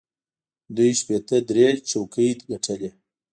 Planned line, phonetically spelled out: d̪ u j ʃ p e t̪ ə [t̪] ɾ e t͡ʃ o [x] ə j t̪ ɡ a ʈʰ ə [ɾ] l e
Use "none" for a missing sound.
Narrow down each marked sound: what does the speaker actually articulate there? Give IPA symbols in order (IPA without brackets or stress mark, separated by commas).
d̪, k, none